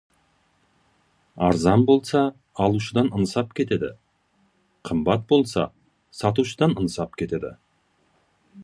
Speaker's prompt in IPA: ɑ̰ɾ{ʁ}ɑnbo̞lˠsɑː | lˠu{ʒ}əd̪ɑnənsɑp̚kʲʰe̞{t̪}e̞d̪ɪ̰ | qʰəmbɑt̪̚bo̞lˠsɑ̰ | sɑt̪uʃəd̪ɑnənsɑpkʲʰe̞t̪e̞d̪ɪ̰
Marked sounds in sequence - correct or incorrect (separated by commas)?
incorrect, incorrect, correct